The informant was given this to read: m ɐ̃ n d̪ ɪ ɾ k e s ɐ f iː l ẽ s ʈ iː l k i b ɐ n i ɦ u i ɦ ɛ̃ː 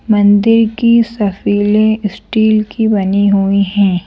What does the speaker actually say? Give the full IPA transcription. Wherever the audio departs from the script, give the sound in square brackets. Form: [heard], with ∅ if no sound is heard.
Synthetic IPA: m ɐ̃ n d̪ ɪ ɾ k [i] s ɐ f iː l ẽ s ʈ iː l k i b ɐ n i ɦ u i ɦ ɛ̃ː

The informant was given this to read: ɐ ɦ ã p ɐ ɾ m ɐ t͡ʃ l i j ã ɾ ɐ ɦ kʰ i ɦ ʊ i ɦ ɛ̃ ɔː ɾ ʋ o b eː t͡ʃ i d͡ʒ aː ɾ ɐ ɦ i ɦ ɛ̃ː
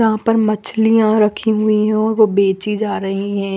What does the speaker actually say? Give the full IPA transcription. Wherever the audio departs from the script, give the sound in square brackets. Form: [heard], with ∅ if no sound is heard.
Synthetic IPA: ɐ ɦ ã p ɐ ɾ m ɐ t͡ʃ l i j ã ɾ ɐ [∅] kʰ i ɦ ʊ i ɦ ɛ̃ ɔː ɾ ʋ o b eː t͡ʃ i d͡ʒ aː ɾ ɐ ɦ i ɦ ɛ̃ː

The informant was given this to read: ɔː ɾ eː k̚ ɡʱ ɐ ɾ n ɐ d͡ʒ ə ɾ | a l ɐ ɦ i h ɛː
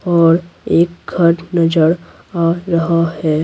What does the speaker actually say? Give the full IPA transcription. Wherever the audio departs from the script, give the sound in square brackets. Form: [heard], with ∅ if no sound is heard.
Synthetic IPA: ɔː ɾ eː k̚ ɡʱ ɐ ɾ n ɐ d͡ʒ ə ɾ | a [ɾ] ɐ ɦ [a] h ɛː

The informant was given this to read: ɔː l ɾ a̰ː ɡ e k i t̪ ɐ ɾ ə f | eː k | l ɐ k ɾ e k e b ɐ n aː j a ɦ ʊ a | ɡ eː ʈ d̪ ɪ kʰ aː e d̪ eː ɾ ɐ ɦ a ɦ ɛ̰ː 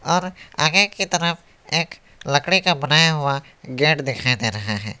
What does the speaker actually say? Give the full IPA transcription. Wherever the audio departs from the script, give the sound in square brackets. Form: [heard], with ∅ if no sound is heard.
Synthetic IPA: ɔː [∅] ɾ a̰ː ɡ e k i t̪ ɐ ɾ ə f | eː k | l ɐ k [ɽ] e k [a] b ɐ n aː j a ɦ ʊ a | ɡ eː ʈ d̪ ɪ kʰ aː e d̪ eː ɾ ɐ ɦ a ɦ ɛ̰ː

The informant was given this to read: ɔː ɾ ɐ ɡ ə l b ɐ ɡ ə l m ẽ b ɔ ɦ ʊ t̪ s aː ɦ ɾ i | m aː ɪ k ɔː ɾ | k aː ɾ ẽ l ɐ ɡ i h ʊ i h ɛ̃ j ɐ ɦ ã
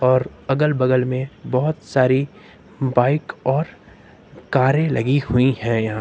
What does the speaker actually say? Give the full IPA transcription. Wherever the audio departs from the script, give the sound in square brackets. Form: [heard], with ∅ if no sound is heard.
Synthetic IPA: ɔː ɾ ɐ ɡ ə l b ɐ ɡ ə l m ẽ b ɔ ɦ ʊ t̪ s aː [∅] ɾ i | [b] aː ɪ k ɔː ɾ | k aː ɾ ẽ l ɐ ɡ i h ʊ i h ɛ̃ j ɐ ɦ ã

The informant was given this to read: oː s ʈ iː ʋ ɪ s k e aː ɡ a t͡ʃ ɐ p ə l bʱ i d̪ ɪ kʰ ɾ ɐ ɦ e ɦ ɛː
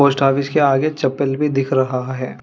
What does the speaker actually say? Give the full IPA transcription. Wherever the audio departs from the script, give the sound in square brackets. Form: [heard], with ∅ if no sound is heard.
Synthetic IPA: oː s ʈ [aː] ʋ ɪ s k e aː ɡ [e] t͡ʃ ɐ p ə l bʱ i d̪ ɪ kʰ ɾ ɐ ɦ [a] ɦ ɛː

